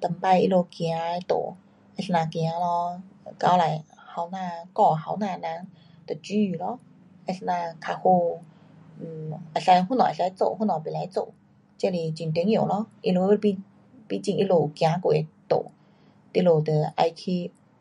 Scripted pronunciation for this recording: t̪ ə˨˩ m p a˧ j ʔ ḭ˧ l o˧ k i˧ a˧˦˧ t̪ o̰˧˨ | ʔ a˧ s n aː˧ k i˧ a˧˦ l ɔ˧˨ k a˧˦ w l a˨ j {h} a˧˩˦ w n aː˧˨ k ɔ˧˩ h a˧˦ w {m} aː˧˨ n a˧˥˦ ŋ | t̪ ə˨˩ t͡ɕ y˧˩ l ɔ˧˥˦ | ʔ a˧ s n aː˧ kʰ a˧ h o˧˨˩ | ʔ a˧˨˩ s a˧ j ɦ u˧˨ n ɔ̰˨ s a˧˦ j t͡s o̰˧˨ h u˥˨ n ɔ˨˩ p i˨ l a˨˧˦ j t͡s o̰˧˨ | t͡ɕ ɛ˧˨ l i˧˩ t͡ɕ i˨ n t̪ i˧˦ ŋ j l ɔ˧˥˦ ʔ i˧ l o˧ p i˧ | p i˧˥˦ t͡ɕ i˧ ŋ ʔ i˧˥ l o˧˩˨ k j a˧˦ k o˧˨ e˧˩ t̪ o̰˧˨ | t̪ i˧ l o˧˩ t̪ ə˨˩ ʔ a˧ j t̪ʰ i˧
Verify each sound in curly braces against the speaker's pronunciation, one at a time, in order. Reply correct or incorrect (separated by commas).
correct, incorrect